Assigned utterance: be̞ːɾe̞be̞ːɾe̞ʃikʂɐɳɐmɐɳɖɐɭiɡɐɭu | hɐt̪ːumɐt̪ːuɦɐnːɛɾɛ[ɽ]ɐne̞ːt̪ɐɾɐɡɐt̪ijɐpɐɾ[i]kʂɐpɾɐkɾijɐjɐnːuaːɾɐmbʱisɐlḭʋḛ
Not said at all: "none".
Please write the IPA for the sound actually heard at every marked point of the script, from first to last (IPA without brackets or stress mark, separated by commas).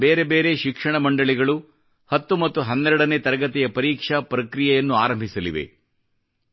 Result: ɽ, iː